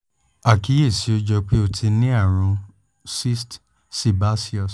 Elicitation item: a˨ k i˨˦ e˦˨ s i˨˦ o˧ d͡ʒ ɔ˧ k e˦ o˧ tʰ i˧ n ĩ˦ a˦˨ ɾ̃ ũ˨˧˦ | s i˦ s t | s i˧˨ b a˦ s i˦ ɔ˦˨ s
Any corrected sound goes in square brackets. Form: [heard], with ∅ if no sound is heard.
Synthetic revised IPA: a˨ k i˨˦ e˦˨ s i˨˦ o˧ d͡ʒ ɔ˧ [k͡p] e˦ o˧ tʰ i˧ n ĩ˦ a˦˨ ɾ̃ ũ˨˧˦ | s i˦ s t | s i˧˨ b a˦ s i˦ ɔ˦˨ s